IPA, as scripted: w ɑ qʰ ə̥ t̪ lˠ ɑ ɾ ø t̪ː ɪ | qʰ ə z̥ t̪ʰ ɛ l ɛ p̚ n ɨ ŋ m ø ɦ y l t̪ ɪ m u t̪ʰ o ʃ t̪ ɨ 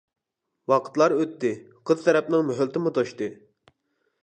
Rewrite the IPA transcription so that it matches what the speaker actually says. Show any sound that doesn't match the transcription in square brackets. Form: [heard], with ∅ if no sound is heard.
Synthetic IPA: w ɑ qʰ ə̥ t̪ lˠ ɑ ɾ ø t̪ː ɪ | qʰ ə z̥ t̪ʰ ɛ [ɾ] ɛ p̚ n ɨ ŋ m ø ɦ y l t̪ ɪ m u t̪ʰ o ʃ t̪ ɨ